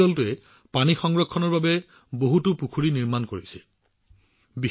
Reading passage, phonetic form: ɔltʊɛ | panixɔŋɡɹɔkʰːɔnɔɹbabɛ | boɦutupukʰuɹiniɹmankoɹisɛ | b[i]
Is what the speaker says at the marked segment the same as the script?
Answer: yes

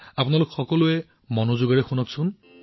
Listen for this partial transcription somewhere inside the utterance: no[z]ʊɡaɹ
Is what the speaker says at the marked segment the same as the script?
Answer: yes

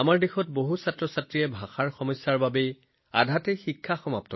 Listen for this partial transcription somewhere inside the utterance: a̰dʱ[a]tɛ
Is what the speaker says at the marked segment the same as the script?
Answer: yes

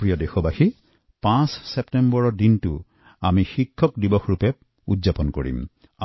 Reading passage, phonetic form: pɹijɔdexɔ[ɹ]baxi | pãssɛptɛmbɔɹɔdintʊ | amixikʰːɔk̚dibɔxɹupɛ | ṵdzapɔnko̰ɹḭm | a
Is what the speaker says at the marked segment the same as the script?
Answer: no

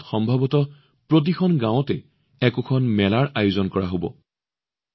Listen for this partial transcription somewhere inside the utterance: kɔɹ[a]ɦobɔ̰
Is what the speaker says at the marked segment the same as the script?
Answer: yes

